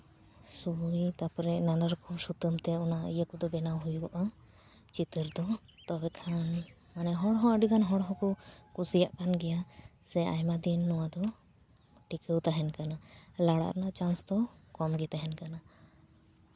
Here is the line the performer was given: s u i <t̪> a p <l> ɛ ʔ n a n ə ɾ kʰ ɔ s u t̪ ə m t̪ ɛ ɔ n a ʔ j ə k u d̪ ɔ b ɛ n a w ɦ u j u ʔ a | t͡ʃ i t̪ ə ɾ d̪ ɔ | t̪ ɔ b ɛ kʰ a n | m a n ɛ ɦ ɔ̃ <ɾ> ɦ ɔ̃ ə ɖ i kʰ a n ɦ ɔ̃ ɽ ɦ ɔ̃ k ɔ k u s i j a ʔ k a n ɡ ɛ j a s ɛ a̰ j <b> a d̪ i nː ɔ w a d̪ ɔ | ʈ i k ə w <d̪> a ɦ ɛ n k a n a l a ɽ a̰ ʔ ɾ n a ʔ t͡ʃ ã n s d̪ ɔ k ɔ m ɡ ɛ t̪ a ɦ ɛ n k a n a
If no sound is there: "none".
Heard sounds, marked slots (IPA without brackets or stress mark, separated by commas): t̪, ɾ, ɽ, m, t̪